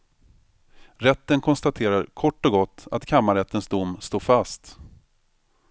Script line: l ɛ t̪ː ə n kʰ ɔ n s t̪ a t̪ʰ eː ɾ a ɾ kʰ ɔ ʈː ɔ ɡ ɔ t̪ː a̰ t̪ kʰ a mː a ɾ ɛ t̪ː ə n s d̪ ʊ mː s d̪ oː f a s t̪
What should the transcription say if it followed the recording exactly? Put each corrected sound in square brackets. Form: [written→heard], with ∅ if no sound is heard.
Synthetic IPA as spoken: [l→ɾ] ɛ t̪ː ə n kʰ ɔ n s t̪ a t̪ʰ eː ɾ a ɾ kʰ ɔ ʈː ɔ ɡ ɔ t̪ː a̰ t̪ kʰ a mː a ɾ ɛ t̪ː ə n s d̪ ʊ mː s [d̪→t̪] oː f a s t̪